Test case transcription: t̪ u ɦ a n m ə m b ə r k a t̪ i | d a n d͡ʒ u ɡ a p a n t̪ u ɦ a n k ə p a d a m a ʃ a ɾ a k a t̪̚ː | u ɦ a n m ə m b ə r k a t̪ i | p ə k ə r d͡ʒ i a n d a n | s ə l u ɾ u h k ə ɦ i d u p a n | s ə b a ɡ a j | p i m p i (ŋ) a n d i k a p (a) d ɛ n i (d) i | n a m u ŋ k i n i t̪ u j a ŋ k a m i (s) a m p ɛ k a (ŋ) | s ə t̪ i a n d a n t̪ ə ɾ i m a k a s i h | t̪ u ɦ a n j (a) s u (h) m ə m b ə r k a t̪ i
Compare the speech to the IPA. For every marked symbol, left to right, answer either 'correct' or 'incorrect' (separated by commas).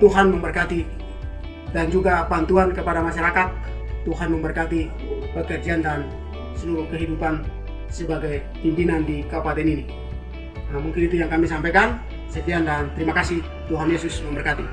incorrect, correct, incorrect, correct, incorrect, incorrect, incorrect